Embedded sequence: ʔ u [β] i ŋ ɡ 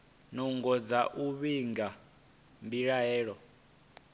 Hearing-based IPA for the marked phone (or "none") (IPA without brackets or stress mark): β